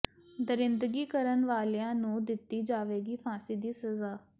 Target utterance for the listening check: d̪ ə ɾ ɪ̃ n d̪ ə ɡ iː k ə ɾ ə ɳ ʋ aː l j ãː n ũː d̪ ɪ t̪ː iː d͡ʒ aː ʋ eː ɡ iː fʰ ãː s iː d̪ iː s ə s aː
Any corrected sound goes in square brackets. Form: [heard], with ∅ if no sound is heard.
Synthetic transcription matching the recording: d̪ ə ɾ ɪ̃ n d̪ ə ɡ iː k ə ɾ ə [n] ʋ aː l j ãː n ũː d̪ ɪ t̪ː iː d͡ʒ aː ʋ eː ɡ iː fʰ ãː s iː d̪ iː s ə [z] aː